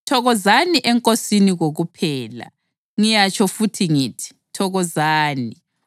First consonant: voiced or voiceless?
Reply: voiceless